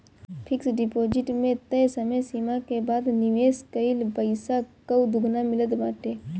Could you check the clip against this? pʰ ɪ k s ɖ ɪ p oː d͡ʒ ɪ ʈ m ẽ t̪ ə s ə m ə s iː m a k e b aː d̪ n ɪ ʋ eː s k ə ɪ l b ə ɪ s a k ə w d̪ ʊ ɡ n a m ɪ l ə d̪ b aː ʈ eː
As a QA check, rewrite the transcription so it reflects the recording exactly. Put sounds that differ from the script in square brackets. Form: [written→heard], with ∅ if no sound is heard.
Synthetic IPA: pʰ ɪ k s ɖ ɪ p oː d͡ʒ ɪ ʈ m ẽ t̪ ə s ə m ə s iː m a k e b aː d̪ n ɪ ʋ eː s k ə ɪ l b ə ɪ s a k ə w d̪ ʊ ɡ n a m ɪ l ə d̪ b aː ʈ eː